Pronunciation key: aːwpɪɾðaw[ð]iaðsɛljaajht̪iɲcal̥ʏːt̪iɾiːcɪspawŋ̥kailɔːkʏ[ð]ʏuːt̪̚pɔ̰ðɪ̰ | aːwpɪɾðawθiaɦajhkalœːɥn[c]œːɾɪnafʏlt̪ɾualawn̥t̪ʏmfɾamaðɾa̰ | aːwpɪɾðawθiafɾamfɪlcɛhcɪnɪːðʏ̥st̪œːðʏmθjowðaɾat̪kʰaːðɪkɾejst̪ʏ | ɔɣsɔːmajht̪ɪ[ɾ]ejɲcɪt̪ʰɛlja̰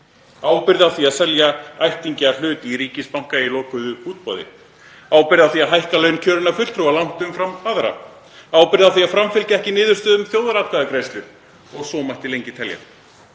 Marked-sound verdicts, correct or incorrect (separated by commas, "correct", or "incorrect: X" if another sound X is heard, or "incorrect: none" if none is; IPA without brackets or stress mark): incorrect: θ, correct, incorrect: cʰ, incorrect: l